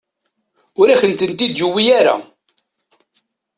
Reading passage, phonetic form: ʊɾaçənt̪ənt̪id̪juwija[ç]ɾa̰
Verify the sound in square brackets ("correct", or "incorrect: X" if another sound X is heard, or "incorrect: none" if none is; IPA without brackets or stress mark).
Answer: incorrect: none